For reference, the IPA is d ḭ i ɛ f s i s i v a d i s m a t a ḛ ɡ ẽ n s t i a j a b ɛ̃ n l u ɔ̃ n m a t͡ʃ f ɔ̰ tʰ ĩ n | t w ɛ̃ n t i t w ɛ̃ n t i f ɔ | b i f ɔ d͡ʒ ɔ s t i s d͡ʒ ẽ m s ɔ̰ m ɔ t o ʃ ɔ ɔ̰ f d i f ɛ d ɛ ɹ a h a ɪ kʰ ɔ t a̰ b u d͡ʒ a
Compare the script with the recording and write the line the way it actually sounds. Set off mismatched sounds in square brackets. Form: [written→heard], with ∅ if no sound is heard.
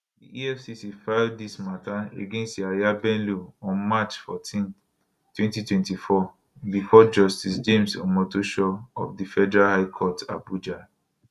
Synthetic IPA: d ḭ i ɛ f s i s i [v→f] a d i s m a t a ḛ ɡ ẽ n s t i a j a b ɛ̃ n l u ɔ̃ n m a t͡ʃ f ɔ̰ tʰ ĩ n | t w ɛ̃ n t i t w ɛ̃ n t i f ɔ | b i f ɔ d͡ʒ ɔ s t i s d͡ʒ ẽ m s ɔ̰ m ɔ t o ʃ ɔ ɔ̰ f d i f ɛ d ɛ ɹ a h a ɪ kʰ ɔ t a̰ b u d͡ʒ a